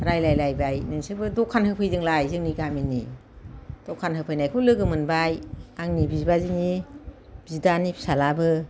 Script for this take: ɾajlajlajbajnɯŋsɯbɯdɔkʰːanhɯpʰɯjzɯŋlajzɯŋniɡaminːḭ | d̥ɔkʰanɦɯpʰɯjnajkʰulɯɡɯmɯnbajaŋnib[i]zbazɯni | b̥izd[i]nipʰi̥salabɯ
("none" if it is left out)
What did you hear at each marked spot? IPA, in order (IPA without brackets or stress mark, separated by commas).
i, a